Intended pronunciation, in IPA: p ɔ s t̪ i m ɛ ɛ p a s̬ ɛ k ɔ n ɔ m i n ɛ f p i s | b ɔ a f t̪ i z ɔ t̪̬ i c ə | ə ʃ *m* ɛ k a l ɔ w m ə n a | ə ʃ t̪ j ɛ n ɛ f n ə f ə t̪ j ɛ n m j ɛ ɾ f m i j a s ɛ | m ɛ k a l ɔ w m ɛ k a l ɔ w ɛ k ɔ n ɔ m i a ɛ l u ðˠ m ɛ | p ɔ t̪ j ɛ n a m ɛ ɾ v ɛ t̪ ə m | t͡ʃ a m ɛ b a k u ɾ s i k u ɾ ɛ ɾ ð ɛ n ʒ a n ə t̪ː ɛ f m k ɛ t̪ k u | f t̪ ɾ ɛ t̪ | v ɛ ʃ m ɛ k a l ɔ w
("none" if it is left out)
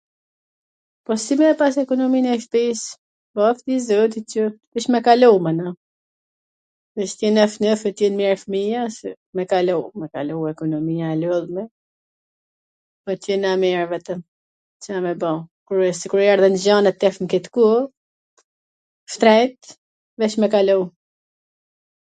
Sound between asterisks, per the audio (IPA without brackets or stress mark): m